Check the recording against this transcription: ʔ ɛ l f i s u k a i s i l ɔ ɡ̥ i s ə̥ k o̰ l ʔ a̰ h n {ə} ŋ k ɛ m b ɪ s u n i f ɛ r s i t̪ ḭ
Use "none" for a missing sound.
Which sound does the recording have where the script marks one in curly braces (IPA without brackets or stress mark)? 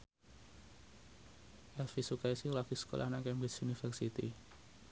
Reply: a